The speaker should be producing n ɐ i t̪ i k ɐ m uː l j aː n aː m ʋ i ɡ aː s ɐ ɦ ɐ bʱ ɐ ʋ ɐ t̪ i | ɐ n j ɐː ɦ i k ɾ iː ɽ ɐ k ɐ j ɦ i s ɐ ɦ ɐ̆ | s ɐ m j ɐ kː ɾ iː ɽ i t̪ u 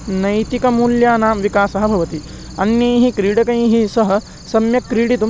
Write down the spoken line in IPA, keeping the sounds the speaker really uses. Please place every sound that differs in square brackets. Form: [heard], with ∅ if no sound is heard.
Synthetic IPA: n ɐ [j] t̪ i k ɐ m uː l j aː n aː m ʋ i [k] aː s ɐ ɦ ɐ bʱ ɐ ʋ ɐ t̪ i | ɐ n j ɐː ɦ i k ɾ iː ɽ ɐ k ɐ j ɦ i s ɐ ɦ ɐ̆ | s ɐ m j ɐ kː ɾ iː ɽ i t̪ u

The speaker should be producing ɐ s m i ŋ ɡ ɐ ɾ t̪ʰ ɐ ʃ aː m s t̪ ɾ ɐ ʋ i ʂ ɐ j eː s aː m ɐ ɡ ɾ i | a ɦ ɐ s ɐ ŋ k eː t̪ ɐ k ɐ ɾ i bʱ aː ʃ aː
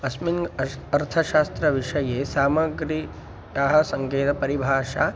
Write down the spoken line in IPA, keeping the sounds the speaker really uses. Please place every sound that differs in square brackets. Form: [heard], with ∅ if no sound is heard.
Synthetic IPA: ɐ s m i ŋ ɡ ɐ ɾ t̪ʰ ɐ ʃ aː [∅] s t̪ ɾ ɐ ʋ i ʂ ɐ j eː s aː m ɐ ɡ ɾ i | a ɦ ɐ s ɐ ŋ k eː t̪ ɐ [p] ɐ ɾ i bʱ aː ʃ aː

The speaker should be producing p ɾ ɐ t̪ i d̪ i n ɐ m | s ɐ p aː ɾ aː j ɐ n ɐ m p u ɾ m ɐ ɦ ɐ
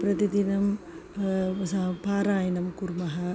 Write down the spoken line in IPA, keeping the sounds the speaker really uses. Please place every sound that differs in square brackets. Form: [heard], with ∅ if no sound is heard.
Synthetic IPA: p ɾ ɐ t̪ i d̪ i n ɐ m | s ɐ p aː ɾ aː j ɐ n ɐ m [k] u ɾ m ɐ ɦ ɐ

